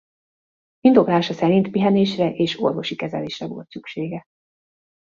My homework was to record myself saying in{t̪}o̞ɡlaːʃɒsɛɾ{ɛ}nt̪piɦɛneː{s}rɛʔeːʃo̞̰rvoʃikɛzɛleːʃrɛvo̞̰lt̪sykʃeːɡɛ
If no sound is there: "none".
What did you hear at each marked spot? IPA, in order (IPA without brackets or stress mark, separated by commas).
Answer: d̪, i, ʃ